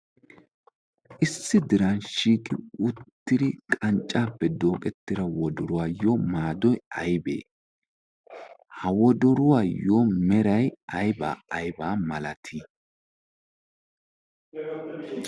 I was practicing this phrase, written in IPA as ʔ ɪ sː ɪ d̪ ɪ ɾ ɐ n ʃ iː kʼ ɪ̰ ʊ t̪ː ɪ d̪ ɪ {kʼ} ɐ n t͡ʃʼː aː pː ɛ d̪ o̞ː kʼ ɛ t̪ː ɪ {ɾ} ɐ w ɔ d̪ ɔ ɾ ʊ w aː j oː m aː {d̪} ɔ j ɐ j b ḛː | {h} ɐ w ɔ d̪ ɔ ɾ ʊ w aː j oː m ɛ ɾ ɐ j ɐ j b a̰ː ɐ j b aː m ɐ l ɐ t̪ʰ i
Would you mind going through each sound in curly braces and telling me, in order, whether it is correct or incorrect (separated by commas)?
correct, correct, correct, correct